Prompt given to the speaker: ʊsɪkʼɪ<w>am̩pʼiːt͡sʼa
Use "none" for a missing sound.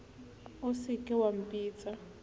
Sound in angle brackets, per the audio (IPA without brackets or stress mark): w